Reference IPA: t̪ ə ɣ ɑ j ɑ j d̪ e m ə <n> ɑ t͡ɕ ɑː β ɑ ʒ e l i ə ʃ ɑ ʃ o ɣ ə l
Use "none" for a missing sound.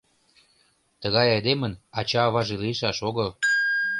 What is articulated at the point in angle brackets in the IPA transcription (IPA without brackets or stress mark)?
n